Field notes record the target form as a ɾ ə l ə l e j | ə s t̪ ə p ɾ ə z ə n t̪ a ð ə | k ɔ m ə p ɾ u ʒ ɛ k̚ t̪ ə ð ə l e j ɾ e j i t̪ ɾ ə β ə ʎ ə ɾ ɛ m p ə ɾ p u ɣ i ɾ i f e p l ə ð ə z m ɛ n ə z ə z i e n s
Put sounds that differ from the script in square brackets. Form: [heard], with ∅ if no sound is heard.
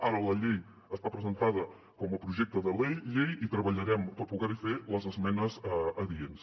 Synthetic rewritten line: a ɾ ə l ə [ʎ] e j | ə s t̪ [a] p ɾ ə z ə n t̪ a ð ə | k ɔ m ə p ɾ u ʒ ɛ k̚ t̪ ə ð ə l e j [ʎ] e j i t̪ ɾ ə β ə ʎ ə ɾ ɛ m p ə ɾ p u ɣ [ɛ] ɾ i f e [∅] l ə [z] ə z m ɛ n ə z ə [ð] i e n s